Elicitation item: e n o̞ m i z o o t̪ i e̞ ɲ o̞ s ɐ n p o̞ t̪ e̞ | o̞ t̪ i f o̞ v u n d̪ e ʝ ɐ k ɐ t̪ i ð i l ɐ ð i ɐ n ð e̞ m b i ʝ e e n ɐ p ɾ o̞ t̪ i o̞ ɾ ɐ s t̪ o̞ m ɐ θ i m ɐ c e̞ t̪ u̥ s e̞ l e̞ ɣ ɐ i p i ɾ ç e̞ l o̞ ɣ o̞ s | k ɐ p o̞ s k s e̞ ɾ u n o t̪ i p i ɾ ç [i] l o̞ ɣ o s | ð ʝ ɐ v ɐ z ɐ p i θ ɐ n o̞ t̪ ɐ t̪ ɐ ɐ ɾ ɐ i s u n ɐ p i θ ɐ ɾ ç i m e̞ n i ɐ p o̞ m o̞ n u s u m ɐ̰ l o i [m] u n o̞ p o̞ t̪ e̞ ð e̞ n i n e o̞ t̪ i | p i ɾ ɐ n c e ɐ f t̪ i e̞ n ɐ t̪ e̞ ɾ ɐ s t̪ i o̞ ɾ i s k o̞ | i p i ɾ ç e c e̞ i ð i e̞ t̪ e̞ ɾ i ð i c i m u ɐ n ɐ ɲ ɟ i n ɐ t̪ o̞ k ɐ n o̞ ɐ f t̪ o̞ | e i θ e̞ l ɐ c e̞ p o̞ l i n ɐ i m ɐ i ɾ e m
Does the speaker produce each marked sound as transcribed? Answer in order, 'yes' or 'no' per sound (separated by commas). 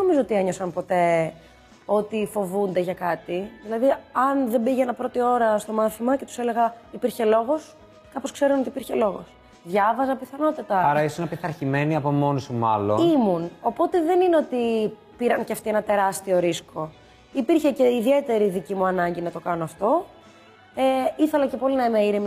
no, yes